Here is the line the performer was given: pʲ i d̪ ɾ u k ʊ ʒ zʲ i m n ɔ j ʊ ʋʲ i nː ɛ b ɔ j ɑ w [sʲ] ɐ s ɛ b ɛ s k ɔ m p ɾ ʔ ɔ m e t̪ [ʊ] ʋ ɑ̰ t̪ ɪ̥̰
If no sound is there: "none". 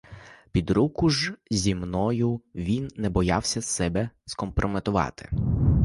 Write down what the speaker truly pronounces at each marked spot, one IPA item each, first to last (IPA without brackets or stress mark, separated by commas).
sʲ, ʊ